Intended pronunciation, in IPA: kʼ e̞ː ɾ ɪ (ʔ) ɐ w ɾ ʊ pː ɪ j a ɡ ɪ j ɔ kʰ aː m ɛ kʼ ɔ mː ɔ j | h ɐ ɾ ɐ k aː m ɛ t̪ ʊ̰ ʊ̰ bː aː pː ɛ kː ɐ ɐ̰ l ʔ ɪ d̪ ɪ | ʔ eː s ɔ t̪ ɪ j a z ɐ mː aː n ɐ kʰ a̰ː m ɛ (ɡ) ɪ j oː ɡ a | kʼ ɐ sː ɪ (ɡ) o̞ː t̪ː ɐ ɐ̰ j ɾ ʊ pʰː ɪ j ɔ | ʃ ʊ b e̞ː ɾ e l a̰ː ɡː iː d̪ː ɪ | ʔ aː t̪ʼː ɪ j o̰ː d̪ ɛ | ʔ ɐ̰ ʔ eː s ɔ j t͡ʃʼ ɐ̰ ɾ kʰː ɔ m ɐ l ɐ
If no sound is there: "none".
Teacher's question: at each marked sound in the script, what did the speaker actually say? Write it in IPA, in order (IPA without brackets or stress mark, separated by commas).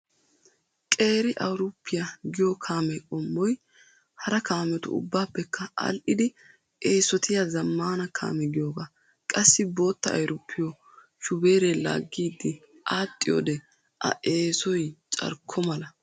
ʔ, ɡ, b